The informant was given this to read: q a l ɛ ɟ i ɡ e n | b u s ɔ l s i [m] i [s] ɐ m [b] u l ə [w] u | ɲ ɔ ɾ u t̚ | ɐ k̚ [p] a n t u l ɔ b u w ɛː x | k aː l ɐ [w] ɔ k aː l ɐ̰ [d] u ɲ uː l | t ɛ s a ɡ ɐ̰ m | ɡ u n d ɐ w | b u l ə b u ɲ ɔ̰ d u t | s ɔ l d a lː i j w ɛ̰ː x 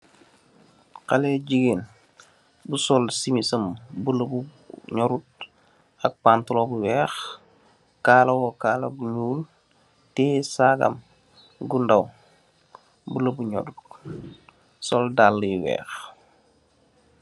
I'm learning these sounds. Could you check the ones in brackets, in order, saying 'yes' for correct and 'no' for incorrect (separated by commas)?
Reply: yes, yes, yes, no, yes, yes, no